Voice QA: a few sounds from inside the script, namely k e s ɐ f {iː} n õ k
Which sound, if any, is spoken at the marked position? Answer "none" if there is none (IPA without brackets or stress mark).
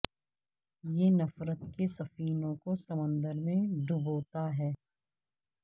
iː